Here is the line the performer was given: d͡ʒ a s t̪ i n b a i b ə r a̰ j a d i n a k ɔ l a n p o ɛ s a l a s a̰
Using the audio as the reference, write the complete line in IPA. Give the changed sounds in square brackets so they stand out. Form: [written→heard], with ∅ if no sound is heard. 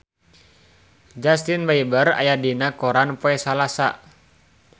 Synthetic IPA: d͡ʒ a s t̪ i n b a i b ə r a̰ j a d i n a k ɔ [l→ɾ] a n p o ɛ s a l a s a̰

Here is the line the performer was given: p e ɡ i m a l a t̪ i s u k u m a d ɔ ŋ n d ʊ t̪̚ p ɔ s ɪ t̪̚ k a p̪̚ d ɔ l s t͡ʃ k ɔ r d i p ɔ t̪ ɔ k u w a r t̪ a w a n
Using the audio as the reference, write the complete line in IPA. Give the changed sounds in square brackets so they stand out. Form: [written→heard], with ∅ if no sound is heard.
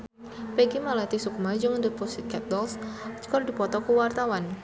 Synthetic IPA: p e ɡ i m a l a t̪ i s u k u m a [d→d͡ʒ] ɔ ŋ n d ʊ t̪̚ p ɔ s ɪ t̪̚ k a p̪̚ d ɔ l s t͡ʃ k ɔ r d i p ɔ t̪ ɔ k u w a r t̪ a w a n

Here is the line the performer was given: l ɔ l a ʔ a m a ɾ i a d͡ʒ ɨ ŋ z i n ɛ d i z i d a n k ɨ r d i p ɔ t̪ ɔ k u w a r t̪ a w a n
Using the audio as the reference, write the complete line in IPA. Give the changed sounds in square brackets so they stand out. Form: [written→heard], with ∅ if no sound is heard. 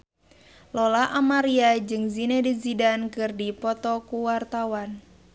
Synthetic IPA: l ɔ l a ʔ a m a ɾ i a d͡ʒ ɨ ŋ z i n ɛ d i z i d a n k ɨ r d i p ɔ t̪ ɔ k u w a r t̪ a w a n

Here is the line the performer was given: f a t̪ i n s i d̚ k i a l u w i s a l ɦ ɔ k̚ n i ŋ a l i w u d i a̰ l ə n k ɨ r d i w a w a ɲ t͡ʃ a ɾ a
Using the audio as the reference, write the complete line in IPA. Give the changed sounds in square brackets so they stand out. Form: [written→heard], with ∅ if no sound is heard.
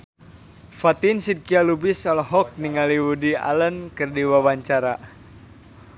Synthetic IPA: f a t̪ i n s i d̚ k i a l u [w→b] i s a l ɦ ɔ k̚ n i ŋ a l i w u d i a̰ l ə n k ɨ r d i w a w a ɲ t͡ʃ a ɾ a

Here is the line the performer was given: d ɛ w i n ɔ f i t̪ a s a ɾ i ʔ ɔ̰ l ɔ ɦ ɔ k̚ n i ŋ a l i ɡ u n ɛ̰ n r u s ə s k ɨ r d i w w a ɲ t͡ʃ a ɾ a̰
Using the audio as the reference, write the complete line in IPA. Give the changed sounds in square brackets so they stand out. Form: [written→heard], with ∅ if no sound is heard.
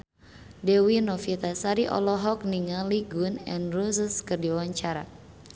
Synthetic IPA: d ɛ w i n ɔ f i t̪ a s a ɾ i ʔ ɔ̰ l ɔ ɦ ɔ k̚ n i ŋ a l i ɡ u n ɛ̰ n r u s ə s k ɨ r d i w w a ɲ t͡ʃ a ɾ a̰

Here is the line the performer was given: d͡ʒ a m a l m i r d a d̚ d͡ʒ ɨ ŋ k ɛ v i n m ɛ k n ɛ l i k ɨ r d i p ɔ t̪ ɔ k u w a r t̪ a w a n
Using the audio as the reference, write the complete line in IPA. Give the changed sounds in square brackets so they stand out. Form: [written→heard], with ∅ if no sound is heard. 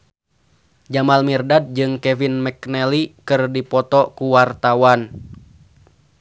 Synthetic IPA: d͡ʒ a m a l m i r d a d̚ d͡ʒ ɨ ŋ k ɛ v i n m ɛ k n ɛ l i k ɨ r d i p ɔ t̪ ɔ k u w a r t̪ a w a n

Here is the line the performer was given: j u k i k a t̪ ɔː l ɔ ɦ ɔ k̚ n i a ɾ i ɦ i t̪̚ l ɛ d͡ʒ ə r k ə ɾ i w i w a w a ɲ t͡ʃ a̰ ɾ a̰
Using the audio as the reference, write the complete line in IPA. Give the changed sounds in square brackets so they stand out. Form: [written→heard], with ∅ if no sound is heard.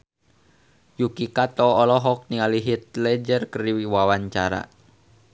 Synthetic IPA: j u k i k a t̪ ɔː l ɔ ɦ ɔ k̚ n i a [ɾ→l] i ɦ i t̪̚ l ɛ d͡ʒ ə r k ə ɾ i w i w a w a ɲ t͡ʃ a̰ ɾ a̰

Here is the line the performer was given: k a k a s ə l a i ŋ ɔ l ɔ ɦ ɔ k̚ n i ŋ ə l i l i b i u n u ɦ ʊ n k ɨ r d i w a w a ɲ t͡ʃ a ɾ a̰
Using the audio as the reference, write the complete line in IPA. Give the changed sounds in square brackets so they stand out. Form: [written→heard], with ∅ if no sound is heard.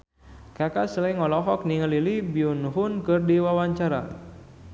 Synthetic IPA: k a k a s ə l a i ŋ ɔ l ɔ ɦ ɔ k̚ n i ŋ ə l i l i b i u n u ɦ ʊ n k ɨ r d i w a w a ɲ t͡ʃ a ɾ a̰

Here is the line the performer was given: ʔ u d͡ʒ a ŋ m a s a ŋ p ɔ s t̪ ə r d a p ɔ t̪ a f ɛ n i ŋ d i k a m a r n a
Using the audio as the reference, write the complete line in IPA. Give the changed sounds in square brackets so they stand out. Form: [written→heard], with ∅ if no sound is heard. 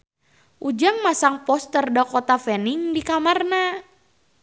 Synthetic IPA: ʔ u d͡ʒ a ŋ m a s a ŋ p ɔ s t̪ ə r d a [p→k] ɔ t̪ a f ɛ n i ŋ d i k a m a r n a

